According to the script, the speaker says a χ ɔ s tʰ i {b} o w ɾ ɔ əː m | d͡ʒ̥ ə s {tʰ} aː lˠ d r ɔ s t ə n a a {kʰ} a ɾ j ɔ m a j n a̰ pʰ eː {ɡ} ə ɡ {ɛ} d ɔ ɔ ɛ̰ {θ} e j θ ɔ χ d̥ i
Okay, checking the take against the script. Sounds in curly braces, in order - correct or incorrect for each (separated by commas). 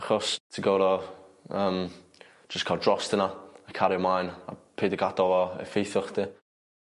incorrect, incorrect, correct, incorrect, incorrect, incorrect